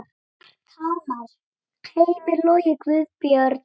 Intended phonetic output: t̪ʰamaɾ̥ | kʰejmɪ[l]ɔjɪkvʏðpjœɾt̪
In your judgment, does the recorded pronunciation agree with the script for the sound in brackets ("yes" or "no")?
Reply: yes